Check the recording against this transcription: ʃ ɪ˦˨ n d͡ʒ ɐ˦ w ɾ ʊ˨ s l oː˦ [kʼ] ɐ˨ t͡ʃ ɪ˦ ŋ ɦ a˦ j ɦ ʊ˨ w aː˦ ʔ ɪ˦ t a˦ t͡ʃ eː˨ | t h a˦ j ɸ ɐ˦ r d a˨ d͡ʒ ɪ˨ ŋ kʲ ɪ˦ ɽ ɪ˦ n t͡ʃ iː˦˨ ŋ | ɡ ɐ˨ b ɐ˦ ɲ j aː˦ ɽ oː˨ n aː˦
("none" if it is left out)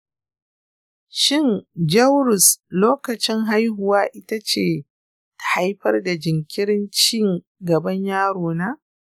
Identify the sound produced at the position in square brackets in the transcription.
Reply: k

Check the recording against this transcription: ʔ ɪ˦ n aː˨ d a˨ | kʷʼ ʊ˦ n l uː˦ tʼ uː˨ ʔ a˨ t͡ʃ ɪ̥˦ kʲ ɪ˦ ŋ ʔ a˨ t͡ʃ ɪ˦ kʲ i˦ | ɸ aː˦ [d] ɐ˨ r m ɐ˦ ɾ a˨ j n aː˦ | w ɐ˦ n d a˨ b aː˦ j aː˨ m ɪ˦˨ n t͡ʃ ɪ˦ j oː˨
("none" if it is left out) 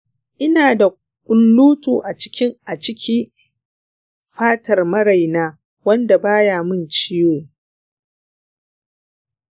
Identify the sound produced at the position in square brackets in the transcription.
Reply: t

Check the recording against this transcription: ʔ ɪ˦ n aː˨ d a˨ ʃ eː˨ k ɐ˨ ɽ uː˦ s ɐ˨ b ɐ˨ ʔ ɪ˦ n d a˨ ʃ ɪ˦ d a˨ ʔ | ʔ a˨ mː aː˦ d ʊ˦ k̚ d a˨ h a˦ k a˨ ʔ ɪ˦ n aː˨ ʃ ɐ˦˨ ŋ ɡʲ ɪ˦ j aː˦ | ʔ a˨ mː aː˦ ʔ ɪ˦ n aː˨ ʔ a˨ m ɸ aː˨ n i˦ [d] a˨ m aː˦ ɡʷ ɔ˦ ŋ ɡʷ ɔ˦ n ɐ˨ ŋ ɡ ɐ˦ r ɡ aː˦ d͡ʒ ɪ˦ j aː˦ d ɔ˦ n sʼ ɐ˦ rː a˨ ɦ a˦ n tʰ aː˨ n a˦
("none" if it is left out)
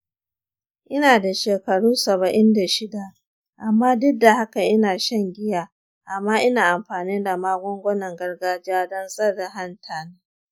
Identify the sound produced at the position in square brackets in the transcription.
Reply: d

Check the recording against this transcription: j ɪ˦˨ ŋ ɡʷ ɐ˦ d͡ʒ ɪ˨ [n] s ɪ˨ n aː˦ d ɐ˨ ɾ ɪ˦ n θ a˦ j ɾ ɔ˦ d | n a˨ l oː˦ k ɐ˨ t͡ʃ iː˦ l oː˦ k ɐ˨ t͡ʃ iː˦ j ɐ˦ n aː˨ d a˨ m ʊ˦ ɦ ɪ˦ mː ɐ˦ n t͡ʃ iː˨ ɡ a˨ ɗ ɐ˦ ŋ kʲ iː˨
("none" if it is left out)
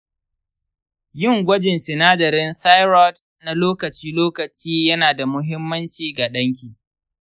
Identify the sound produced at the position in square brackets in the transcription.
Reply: n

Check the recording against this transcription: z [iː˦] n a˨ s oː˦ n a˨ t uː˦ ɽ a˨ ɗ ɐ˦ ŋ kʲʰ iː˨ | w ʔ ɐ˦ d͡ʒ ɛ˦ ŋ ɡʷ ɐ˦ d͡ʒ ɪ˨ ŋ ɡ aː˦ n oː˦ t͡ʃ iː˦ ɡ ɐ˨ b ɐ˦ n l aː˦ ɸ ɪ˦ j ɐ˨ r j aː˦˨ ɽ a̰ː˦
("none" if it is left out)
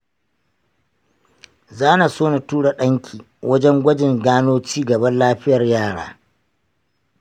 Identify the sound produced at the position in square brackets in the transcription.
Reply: aː˦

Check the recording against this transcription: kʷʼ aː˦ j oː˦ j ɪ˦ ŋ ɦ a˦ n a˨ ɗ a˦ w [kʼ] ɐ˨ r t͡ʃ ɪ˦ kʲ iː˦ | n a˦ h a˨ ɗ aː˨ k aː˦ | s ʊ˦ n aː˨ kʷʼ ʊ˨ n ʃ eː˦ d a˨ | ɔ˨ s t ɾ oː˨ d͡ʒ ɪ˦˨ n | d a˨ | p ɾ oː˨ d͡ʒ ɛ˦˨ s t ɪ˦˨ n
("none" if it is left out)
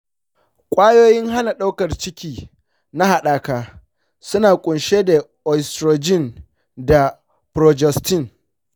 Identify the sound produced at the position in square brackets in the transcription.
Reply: k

